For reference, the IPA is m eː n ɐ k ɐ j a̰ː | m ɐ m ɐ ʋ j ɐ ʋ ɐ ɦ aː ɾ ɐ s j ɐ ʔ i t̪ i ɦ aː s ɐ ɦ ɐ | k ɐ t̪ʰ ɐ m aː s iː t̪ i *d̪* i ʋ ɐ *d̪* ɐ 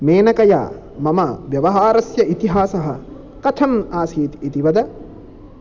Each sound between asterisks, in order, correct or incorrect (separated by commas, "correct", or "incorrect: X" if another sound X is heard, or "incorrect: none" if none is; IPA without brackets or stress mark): incorrect: t̪, correct